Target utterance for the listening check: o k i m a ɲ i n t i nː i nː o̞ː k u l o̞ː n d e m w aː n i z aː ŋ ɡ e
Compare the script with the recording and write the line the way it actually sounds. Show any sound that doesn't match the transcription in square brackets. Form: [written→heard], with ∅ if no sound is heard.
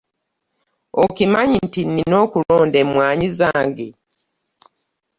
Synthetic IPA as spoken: o k i m a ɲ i n t i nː i [nː→n] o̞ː k u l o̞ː n d e m w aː [n→ɲ] i z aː ŋ ɡ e